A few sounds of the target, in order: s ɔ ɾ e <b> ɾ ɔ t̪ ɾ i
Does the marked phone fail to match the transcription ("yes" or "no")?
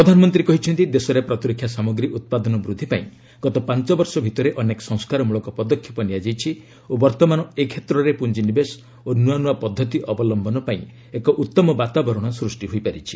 yes